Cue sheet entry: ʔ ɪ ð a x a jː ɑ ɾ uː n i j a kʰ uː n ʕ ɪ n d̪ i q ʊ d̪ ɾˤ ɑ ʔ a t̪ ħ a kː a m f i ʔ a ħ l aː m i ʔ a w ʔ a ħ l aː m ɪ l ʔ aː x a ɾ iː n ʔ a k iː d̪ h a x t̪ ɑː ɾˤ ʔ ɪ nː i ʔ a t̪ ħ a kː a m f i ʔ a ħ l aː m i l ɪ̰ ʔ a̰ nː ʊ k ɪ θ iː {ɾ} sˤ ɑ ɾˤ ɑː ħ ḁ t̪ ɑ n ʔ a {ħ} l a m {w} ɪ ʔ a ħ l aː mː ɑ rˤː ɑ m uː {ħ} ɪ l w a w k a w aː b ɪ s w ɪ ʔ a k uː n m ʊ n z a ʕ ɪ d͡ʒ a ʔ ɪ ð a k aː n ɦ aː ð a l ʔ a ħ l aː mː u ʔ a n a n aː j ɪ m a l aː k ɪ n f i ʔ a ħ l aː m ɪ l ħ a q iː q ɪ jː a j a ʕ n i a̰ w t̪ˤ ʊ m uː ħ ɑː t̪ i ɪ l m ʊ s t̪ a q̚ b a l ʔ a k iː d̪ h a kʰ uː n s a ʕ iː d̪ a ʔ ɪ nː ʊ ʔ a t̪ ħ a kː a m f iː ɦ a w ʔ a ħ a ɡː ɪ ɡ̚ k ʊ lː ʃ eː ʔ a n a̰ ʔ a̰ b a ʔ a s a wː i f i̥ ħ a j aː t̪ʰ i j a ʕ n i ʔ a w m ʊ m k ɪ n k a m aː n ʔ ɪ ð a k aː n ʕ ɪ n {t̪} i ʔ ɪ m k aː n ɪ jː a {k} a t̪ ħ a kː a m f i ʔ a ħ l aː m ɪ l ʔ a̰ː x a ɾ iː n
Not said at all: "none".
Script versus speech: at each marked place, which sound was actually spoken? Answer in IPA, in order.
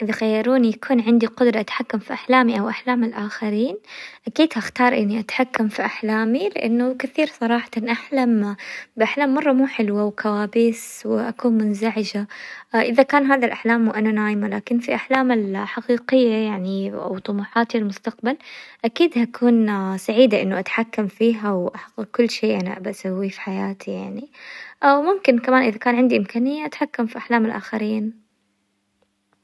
ɾ, ħ, b, ħ, d̪, ʔ

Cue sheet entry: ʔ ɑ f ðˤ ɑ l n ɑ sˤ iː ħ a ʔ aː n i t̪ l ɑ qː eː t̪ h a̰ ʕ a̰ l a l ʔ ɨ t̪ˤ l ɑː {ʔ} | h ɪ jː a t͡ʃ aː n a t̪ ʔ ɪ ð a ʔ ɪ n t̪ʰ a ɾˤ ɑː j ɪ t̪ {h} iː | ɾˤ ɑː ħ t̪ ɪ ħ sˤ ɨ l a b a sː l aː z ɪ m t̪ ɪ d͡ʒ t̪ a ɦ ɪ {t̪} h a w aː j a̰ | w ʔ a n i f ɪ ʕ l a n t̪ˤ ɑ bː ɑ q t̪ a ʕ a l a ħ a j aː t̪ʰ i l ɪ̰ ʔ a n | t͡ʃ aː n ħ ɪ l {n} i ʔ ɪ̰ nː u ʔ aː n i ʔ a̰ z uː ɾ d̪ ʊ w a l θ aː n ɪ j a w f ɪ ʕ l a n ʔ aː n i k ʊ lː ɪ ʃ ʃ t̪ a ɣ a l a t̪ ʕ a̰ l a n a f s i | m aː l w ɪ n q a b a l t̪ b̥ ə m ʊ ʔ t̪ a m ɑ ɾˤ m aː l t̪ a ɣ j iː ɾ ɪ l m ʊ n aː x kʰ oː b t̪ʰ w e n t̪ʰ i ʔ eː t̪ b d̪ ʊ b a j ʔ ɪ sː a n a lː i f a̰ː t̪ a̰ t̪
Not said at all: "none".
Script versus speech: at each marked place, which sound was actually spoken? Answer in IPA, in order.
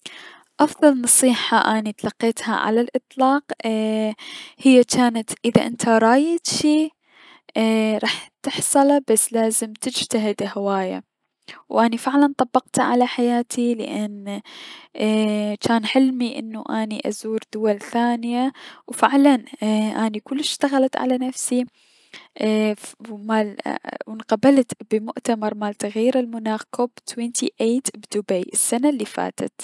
q, ʃ, d̪, m

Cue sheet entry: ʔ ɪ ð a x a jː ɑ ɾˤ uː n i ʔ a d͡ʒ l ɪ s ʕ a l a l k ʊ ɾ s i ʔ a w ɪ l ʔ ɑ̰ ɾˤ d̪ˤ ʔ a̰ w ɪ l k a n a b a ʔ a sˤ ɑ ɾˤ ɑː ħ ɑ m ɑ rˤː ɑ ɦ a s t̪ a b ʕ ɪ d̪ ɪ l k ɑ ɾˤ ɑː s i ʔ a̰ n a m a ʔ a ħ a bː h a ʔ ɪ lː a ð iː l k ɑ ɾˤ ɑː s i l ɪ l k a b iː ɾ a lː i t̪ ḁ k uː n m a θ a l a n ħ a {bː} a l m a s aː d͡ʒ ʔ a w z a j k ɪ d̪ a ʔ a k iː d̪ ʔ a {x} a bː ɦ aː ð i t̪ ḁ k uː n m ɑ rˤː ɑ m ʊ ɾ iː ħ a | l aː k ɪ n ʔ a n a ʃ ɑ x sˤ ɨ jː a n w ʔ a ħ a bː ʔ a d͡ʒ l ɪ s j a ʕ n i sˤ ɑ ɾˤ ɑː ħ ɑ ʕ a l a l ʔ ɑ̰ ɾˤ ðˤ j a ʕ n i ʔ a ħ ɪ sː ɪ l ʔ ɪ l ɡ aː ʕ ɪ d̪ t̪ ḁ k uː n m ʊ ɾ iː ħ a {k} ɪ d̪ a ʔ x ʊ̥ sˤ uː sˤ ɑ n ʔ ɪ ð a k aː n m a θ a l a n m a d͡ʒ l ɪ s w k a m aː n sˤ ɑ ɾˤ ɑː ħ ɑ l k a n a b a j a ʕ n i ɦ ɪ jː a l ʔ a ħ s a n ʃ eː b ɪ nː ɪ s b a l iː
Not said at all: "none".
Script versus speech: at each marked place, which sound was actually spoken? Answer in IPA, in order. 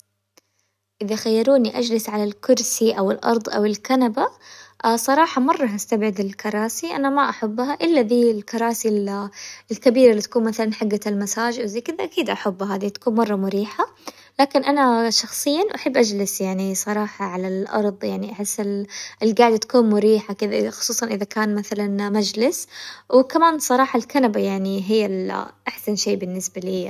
ɡː, ħ, k

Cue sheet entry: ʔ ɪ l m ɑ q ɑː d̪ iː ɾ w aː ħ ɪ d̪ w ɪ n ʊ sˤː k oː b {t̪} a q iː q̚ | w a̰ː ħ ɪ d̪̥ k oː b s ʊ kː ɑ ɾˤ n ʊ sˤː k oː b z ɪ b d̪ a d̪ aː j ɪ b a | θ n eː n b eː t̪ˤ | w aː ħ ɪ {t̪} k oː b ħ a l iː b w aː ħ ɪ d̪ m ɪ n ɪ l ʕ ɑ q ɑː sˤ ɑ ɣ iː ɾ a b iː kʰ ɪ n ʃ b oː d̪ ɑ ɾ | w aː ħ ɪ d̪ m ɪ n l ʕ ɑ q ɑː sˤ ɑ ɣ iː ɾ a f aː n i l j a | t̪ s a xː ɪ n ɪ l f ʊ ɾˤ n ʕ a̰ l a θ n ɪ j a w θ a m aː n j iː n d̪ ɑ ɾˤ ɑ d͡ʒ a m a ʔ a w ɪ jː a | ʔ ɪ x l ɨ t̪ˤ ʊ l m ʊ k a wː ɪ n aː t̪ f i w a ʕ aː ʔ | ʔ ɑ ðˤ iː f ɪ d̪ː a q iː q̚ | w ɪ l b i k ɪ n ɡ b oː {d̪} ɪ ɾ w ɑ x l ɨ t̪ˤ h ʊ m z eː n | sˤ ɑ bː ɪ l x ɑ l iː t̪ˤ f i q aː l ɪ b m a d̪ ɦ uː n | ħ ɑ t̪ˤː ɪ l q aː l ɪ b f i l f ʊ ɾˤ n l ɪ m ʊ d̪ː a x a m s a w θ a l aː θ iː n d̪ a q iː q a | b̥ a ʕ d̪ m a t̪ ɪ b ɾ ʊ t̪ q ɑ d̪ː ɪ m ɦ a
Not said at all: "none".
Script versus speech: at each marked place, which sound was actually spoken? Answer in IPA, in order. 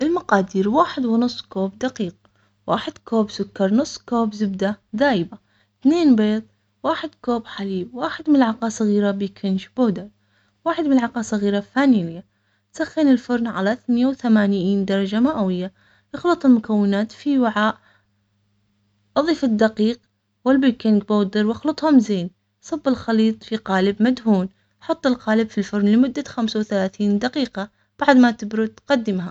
d̪, d̪, d̪

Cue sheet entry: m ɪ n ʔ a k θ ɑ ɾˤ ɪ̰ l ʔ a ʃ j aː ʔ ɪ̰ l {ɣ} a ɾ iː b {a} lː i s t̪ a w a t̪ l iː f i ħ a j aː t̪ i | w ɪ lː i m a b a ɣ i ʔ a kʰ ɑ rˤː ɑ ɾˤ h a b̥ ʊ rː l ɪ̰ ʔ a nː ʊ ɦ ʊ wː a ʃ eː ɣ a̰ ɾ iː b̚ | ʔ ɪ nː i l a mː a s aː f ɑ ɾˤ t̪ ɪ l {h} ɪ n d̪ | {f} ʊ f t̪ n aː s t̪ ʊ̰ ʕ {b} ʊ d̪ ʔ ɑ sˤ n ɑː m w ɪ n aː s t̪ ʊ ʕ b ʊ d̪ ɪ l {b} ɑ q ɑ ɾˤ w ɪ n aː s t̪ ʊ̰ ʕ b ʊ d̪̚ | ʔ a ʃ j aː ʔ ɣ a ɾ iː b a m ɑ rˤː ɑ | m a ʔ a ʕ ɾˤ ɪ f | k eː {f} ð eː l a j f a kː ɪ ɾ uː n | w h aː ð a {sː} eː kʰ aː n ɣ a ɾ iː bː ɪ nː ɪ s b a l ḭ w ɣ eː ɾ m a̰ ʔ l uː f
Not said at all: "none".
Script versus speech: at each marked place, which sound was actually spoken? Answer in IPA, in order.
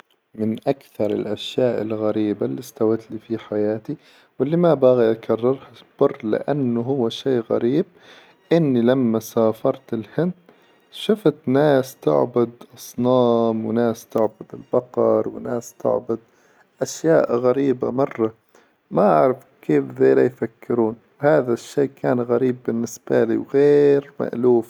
ɣ, a, h, ʃ, b, b, f, ʃː

